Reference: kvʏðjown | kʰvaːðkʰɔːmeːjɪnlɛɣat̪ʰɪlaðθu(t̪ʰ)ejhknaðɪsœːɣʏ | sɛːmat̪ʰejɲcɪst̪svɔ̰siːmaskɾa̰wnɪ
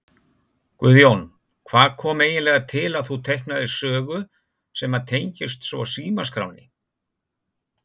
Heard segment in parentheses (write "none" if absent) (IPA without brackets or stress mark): t̪ʰ